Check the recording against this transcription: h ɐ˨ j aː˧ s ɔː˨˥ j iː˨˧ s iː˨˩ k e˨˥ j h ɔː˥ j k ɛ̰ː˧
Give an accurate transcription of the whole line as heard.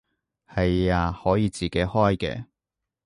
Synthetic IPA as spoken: h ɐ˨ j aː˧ h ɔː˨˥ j iː˨˧ t͡s iː˨˩ k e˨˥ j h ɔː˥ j k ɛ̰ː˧